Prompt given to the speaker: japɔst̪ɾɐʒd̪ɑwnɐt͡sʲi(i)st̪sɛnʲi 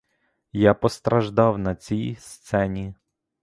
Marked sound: incorrect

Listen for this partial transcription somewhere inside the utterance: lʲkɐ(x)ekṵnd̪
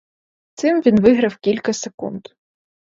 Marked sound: incorrect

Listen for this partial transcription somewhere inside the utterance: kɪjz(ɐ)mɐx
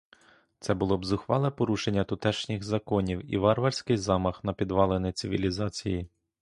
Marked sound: incorrect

